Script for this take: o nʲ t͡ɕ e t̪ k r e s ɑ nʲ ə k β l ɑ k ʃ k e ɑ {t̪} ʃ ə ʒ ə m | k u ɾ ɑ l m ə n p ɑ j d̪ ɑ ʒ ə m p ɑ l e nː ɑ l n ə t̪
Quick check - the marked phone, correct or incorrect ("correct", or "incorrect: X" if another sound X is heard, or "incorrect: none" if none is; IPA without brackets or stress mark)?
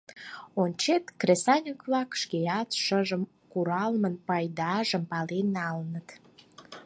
correct